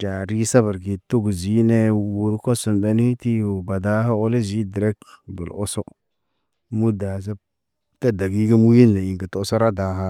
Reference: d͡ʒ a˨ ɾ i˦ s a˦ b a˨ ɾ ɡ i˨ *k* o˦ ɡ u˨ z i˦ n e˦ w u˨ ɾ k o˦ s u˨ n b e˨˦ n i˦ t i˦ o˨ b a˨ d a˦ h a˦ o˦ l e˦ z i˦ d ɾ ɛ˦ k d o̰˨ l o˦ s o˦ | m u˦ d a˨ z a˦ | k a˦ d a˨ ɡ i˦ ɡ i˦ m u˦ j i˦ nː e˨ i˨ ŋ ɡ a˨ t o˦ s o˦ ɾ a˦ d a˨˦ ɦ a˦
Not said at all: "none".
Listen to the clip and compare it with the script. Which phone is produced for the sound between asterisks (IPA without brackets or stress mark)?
t